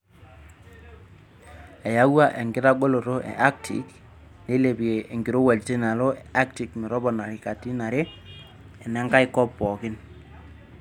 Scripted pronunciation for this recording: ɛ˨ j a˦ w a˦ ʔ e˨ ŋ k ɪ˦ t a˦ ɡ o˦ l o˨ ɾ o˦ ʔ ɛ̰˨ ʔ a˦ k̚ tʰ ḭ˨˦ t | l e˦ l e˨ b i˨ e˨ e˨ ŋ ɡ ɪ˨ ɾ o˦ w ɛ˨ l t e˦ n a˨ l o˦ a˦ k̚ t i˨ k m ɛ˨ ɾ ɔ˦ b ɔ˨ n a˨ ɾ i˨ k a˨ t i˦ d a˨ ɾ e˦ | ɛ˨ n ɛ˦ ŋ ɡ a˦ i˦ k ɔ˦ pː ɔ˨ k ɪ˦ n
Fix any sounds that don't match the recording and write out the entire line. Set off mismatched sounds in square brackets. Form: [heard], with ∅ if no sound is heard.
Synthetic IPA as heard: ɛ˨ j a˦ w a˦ ʔ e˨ ŋ [ɡ] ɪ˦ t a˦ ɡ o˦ l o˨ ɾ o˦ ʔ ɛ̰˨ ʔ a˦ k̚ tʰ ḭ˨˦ [k] | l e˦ l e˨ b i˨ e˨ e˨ ŋ ɡ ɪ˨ ɾ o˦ w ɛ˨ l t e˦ n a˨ l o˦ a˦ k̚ t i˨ k m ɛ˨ ɾ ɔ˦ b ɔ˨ n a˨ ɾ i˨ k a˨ t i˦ [n] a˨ ɾ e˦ | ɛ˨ n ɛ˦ ŋ ɡ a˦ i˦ k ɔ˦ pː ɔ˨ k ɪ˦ n